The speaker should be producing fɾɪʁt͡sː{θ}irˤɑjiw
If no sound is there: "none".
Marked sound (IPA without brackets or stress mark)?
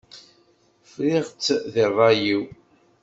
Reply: ð